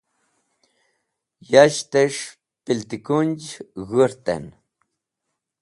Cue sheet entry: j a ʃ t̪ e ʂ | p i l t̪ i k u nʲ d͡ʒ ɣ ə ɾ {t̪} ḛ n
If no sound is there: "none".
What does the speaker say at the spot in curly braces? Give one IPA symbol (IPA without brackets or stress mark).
t̪